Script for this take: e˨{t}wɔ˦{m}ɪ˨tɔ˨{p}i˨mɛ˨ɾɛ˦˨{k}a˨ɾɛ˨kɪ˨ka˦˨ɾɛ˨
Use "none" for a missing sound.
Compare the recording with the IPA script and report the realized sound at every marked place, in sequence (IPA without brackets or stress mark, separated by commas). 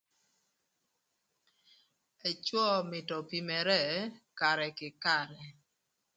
t͡ʃ, m, p, k